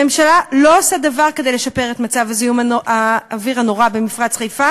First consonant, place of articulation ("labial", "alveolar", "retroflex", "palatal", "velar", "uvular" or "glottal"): labial